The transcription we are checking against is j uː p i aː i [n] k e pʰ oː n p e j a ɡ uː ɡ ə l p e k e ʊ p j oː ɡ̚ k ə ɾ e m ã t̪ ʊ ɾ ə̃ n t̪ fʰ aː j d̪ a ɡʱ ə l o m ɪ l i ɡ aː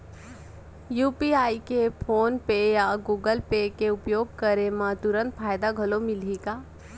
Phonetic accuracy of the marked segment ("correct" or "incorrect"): incorrect